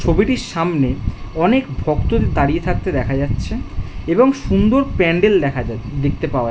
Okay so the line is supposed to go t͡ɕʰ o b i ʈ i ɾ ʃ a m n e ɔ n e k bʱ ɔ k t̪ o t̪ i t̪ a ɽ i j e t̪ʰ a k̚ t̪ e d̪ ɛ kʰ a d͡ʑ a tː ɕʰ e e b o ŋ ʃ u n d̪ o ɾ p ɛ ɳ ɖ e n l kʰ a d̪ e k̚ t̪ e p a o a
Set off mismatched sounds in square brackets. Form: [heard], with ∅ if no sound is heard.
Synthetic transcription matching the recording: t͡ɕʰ o b i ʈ i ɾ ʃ a m n e ɔ n e k bʱ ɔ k t̪ o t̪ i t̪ a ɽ i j e t̪ʰ a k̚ t̪ e d̪ ɛ kʰ a d͡ʑ a tː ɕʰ e e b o ŋ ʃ u n d̪ o ɾ p ɛ ɳ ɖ e [∅] l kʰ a d̪ e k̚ t̪ e p a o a

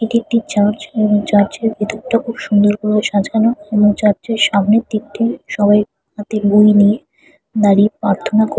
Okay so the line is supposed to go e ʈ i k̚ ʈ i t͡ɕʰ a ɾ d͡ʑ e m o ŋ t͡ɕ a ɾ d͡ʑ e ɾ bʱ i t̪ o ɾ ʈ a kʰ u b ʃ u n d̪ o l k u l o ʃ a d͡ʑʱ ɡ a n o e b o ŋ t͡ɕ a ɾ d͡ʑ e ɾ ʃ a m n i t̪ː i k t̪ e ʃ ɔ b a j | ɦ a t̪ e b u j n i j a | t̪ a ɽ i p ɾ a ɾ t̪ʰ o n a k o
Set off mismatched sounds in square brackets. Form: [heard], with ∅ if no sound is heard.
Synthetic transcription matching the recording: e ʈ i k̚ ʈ i [t͡ɕ] a ɾ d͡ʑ e [b] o ŋ t͡ɕ a ɾ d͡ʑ e ɾ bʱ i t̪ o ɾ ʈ a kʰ u b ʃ u n d̪ o [ɾ] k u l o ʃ a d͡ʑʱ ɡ a n o e b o ŋ t͡ɕ a ɾ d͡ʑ e ɾ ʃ a m n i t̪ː i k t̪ e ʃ ɔ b a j | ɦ a t̪ e b u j n i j [e] | [d̪] a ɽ i p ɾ a ɾ t̪ʰ o n a k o

